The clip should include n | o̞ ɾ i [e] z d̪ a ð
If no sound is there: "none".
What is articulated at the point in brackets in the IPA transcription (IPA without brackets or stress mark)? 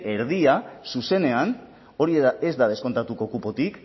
e